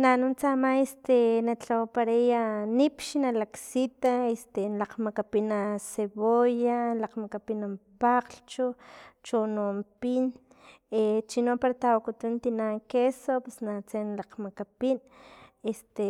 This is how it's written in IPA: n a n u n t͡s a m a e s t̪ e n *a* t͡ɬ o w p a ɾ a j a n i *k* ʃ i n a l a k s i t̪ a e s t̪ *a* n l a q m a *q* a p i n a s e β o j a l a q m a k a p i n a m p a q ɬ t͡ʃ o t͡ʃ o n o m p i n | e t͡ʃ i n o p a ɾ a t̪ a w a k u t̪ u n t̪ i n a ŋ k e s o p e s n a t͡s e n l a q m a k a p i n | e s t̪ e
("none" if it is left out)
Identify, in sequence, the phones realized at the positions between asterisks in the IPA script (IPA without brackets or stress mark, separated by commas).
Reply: a, p, e, k